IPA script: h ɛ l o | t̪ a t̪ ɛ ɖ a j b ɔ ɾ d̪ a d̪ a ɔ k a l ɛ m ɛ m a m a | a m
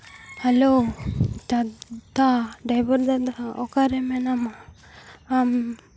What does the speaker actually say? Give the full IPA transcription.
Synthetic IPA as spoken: h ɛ l o | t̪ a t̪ a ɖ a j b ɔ ɾ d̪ a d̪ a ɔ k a ɾ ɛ m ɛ n a m a | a m